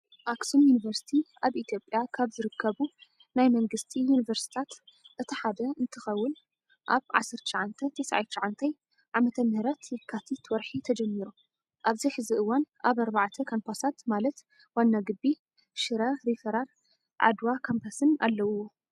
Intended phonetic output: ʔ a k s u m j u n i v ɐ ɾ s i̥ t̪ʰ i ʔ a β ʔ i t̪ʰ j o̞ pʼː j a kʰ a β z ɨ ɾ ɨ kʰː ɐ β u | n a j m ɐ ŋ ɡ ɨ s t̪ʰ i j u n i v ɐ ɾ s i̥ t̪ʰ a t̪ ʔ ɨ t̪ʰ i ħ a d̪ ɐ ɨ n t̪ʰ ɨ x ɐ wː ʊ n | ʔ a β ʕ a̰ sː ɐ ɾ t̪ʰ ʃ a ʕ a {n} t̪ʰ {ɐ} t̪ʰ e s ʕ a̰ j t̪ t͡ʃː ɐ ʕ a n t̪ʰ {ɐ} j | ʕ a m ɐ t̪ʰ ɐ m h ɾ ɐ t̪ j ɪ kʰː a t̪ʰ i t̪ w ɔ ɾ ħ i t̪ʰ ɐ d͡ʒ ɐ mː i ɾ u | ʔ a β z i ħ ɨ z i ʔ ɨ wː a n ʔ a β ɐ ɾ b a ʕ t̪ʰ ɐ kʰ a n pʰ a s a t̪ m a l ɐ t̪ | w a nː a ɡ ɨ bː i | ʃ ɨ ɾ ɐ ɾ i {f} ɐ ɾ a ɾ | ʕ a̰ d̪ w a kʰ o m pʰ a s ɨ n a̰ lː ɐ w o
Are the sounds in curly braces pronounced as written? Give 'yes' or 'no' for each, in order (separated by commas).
yes, yes, yes, yes